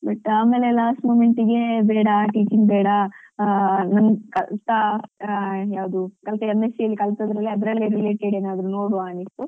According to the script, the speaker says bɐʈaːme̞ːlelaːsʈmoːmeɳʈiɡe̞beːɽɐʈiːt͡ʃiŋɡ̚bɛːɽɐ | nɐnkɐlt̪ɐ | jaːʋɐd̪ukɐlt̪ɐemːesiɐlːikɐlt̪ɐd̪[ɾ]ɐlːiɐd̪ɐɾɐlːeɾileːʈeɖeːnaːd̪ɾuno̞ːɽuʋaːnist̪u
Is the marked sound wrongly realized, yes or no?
no